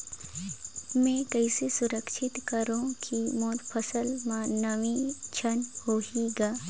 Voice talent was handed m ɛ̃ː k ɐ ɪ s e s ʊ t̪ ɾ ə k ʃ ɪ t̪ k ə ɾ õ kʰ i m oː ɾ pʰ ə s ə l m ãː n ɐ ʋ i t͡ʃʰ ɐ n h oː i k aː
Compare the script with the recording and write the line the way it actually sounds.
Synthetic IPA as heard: m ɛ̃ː k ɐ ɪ s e s ʊ ɾ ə k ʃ ɪ t̪ k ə ɾ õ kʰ i m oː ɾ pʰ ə s ə l m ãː n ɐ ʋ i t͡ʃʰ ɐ n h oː i ɡ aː